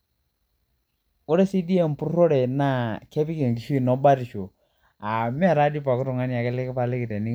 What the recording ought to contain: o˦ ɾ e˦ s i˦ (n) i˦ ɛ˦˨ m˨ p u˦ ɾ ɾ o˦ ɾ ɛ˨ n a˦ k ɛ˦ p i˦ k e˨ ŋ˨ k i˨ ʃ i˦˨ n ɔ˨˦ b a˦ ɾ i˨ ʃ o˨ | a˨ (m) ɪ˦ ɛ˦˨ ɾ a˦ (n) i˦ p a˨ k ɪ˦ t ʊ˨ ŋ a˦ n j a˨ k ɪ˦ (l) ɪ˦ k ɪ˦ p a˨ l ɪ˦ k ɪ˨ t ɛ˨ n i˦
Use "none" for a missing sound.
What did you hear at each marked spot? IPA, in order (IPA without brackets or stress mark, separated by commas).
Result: d, m, d, l